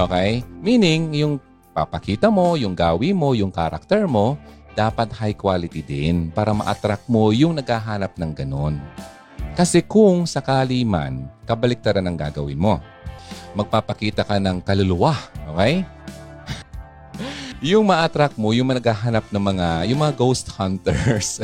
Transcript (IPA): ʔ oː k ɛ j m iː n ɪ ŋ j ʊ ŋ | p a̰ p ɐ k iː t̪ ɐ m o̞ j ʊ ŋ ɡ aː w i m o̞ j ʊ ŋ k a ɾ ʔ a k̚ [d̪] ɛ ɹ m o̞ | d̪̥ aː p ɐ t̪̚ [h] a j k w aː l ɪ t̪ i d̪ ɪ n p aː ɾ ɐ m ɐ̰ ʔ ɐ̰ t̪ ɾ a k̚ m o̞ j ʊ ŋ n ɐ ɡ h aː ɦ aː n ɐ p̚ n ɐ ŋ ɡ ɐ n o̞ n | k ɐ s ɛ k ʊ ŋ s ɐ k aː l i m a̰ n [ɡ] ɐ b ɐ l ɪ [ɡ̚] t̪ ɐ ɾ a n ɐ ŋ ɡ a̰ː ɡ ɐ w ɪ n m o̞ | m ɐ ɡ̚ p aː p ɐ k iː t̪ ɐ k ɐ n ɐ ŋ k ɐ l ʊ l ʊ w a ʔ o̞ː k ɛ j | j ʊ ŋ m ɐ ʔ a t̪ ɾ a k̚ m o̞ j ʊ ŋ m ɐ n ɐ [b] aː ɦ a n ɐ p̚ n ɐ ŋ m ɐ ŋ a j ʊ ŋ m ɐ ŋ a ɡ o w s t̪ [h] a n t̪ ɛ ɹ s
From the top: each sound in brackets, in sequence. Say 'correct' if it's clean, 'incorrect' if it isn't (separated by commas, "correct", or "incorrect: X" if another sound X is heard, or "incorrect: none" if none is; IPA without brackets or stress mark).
incorrect: t̪, correct, incorrect: k, incorrect: k̚, incorrect: ɡ, correct